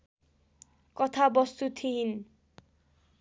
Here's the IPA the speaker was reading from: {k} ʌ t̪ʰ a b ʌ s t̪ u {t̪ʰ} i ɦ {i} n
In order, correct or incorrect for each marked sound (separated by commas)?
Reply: correct, correct, correct